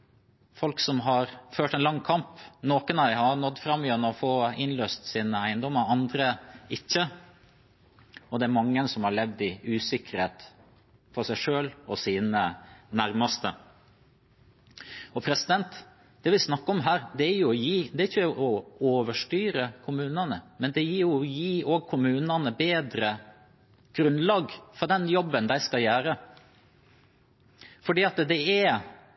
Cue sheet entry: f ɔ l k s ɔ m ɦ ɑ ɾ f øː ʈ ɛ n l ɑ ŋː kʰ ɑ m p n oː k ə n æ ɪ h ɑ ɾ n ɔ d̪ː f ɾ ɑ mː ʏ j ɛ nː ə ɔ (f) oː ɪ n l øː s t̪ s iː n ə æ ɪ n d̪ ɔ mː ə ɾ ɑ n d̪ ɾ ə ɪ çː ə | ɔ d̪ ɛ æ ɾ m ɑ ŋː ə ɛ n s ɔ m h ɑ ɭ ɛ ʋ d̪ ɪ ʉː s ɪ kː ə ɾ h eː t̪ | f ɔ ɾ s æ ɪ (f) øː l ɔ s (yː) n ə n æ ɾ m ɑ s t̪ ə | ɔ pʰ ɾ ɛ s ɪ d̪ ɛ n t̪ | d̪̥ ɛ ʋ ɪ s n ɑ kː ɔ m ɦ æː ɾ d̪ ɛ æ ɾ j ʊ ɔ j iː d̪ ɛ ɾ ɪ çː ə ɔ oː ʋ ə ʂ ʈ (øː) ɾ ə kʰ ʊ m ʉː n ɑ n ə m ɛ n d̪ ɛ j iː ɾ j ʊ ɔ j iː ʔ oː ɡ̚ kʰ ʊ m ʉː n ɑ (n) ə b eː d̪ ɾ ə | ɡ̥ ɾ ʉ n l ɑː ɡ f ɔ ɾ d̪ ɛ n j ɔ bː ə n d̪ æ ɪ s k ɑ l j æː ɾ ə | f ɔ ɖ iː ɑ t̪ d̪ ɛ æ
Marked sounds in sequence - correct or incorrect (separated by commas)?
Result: correct, incorrect, incorrect, incorrect, correct